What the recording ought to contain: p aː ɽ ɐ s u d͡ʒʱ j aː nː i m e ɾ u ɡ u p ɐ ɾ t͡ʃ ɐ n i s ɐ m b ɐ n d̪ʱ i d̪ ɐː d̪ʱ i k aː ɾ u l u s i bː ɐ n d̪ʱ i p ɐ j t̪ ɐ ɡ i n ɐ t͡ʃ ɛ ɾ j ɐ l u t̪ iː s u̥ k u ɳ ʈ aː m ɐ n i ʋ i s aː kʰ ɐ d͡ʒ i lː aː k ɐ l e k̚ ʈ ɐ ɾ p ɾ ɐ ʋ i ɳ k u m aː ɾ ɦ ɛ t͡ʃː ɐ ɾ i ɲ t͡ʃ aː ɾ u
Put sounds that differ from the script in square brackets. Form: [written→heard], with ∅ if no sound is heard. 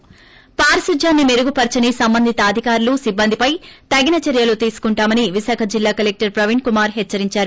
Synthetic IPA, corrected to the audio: p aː [ɽ→ɾ] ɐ s u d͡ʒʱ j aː nː i m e ɾ u ɡ u p ɐ ɾ t͡ʃ ɐ n i s ɐ m b ɐ n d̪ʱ i [d̪→t̪] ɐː d̪ʱ i k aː ɾ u l u s i bː ɐ n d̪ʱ i p ɐ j t̪ ɐ ɡ i n ɐ t͡ʃ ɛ ɾ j ɐ l u t̪ iː s u̥ k u ɳ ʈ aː m ɐ n i ʋ i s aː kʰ ɐ d͡ʒ i lː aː k ɐ l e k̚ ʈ ɐ ɾ p ɾ ɐ ʋ i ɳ k u m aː ɾ ɦ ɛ t͡ʃː ɐ ɾ i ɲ t͡ʃ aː ɾ u